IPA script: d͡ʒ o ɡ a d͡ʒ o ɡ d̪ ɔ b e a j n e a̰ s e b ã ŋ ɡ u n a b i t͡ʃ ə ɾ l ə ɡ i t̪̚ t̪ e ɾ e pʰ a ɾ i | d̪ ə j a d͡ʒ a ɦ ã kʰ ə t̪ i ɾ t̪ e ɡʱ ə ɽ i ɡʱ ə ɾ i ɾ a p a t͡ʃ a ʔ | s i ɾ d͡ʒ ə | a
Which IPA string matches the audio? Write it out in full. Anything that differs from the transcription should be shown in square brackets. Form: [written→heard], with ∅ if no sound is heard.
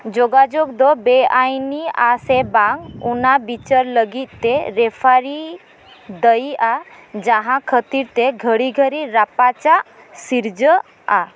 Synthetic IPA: d͡ʒ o ɡ a d͡ʒ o ɡ d̪ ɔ b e a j n [e→i] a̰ s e b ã ŋ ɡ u n a b i t͡ʃ ə ɾ l ə ɡ i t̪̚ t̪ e ɾ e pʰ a ɾ i | d̪ ə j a d͡ʒ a ɦ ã kʰ ə t̪ i ɾ t̪ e ɡʱ ə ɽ i ɡʱ ə ɾ i ɾ a p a t͡ʃ a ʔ | s i ɾ d͡ʒ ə | a